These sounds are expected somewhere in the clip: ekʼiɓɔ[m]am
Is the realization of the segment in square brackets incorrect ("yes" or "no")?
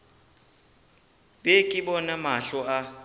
yes